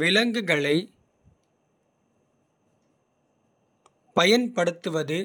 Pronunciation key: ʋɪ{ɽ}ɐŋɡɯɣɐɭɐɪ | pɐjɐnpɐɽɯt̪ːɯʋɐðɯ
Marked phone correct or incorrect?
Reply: incorrect